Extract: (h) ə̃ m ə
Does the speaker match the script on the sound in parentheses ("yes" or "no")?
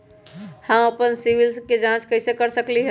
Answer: yes